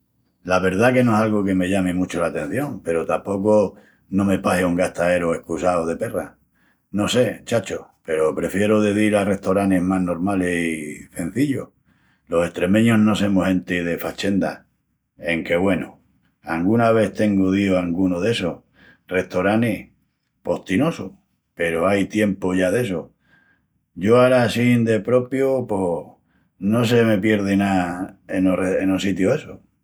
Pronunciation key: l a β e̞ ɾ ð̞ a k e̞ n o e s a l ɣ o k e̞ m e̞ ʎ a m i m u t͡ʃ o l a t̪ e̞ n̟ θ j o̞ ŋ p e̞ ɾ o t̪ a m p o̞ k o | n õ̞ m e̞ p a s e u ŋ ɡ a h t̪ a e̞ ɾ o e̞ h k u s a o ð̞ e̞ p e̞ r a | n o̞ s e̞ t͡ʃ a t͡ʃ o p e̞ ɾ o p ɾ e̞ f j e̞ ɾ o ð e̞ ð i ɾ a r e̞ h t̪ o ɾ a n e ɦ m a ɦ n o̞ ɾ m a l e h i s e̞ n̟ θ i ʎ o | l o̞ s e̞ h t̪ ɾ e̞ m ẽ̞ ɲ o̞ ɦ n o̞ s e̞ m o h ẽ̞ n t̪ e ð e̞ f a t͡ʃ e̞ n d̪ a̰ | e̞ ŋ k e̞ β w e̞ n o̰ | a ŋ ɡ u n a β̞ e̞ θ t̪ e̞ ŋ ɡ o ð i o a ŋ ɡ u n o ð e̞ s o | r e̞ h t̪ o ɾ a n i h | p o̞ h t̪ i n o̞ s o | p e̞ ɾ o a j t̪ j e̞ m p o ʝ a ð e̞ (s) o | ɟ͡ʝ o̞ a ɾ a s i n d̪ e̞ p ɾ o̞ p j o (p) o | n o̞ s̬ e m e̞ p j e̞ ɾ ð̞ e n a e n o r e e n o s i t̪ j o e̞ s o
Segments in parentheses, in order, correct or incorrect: correct, correct

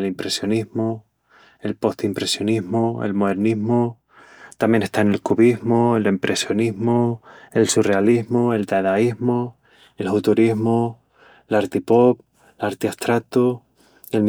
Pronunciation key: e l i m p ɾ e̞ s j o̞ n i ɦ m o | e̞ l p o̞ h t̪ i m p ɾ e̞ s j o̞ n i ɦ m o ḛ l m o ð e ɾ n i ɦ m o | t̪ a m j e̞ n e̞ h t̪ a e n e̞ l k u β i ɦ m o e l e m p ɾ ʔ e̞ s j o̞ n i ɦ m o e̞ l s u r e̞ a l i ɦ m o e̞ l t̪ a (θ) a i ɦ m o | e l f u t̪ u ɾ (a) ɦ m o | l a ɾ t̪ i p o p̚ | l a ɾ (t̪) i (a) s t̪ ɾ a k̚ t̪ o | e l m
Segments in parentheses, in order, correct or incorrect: incorrect, incorrect, correct, correct

